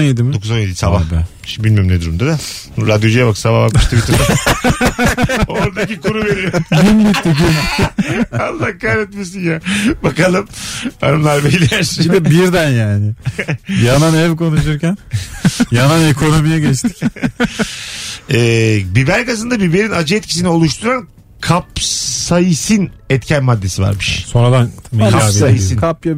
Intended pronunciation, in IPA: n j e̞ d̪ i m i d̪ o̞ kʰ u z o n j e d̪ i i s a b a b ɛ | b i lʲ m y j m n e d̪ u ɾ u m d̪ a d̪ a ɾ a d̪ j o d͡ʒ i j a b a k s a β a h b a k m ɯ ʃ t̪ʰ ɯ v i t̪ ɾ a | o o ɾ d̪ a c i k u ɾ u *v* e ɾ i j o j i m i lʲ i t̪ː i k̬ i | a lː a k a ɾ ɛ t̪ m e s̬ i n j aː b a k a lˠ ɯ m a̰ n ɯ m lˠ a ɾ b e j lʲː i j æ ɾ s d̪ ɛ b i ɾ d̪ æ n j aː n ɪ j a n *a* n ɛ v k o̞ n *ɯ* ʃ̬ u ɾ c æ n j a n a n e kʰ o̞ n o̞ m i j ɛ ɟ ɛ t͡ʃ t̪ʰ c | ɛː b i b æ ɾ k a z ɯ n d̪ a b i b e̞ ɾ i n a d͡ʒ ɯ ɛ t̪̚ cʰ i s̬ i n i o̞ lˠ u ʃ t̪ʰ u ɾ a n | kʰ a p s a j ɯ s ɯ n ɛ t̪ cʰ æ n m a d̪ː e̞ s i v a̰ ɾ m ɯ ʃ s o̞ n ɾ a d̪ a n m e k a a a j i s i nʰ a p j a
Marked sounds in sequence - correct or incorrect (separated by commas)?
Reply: correct, correct, incorrect